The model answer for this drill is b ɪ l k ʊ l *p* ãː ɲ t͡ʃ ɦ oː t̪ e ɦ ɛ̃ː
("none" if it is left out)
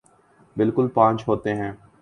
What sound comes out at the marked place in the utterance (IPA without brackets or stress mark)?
p